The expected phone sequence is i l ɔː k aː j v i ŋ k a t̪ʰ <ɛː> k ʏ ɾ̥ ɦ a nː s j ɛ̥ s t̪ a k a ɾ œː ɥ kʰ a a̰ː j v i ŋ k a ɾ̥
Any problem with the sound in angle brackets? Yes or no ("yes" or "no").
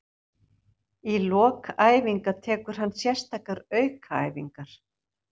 no